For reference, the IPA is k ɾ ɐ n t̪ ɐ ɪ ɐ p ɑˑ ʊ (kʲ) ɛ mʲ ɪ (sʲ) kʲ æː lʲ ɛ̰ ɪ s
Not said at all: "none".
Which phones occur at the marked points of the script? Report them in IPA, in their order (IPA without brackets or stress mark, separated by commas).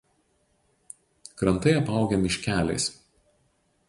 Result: ɡʲ, ʃʲ